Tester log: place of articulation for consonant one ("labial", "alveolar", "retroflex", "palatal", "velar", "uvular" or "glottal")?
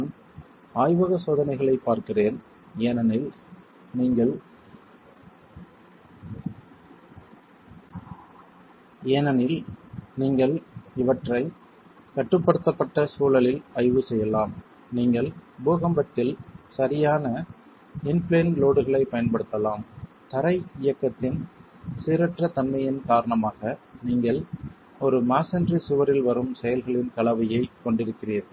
alveolar